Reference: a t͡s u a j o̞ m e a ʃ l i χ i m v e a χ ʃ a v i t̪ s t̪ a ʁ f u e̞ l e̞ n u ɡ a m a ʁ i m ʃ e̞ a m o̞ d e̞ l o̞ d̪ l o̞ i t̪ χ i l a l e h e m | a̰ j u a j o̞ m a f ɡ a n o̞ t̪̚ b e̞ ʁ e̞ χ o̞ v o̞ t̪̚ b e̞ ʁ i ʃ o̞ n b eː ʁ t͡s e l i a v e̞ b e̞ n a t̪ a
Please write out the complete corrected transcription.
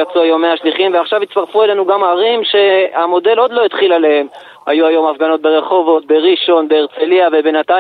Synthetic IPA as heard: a t͡s u a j o̞ m e a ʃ l i χ i m v e a χ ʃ a v i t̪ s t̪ a ʁ f u e̞ l e̞ n u ɡ a m a ʁ i m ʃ e̞ a m o̞ d e̞ l o̞ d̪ l o̞ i t̪ χ i l a l e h e m | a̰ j u a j o̞ m a f ɡ a n o̞ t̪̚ b e̞ ʁ e̞ χ o̞ v o̞ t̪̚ b e̞ ʁ i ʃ o̞ n b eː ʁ t͡s e l i a v e̞ b e̞ n a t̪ a